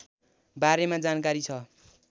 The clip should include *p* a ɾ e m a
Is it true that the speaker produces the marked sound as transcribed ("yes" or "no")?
no